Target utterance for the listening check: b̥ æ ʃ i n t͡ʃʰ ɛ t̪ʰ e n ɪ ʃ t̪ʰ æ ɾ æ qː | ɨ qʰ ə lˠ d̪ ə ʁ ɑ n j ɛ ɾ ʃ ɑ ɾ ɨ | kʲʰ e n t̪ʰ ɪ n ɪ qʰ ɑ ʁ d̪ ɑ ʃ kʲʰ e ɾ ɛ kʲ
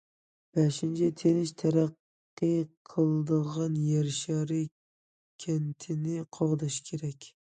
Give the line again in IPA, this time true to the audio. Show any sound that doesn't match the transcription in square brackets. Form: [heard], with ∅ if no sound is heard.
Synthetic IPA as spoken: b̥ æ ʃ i n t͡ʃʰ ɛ t̪ʰ e n ɪ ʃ t̪ʰ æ ɾ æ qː | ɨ qʰ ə lˠ d̪ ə ʁ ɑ n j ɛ ɾ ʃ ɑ ɾ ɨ | kʲʰ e n t̪ʰ ɪ n ɪ qʰ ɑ ʁ d̪ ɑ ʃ kʲʰ e ɾ ɛ kʲ